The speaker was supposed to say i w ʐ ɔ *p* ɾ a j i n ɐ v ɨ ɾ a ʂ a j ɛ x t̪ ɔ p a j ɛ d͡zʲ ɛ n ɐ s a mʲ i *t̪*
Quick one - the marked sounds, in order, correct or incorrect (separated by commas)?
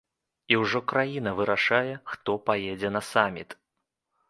incorrect, correct